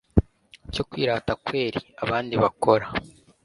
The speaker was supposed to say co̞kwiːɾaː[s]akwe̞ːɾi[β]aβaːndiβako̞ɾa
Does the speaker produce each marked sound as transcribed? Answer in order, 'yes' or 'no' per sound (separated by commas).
no, no